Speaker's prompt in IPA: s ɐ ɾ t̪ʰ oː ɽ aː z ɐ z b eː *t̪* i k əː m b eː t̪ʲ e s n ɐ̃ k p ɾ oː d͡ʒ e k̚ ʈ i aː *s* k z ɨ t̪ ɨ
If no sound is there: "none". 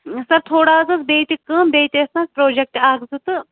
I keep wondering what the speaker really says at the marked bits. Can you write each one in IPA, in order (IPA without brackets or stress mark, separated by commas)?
t̪, none